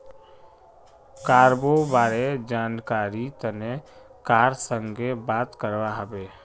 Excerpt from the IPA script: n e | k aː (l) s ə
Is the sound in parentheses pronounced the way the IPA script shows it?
no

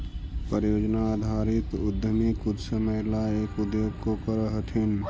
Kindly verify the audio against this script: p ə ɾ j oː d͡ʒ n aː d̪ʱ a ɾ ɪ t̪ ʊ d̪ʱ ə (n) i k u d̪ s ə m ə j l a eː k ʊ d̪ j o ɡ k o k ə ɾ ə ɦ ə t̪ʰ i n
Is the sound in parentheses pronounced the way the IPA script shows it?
no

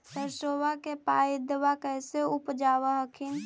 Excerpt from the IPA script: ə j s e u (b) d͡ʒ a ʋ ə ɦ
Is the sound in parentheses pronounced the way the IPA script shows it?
no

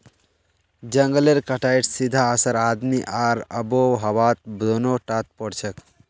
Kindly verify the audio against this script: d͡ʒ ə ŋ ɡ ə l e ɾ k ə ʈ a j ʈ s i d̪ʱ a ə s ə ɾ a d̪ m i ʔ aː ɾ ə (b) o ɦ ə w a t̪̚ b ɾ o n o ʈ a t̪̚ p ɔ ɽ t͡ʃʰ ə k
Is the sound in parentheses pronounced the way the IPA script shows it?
yes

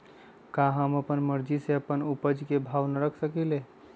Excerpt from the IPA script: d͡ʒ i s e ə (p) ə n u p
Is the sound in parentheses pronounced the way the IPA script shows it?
yes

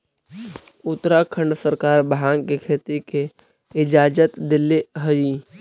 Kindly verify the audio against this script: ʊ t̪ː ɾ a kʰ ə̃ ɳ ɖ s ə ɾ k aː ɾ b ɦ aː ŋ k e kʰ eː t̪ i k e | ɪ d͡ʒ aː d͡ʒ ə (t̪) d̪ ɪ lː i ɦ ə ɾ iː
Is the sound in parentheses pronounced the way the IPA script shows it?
yes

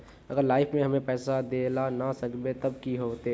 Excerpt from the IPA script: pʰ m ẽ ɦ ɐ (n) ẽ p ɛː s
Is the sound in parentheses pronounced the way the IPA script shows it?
no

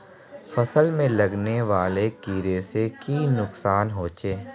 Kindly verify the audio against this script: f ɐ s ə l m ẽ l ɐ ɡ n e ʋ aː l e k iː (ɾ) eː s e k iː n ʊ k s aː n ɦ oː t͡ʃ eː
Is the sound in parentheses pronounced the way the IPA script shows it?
yes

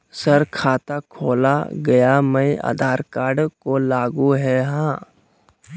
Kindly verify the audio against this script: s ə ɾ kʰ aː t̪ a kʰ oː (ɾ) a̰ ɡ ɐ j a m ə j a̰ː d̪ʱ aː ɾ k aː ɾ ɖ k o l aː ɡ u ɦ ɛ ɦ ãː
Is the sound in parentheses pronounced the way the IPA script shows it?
no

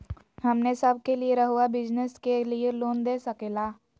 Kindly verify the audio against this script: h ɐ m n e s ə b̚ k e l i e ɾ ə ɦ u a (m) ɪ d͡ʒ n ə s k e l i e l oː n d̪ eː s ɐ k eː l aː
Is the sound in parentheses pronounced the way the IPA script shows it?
no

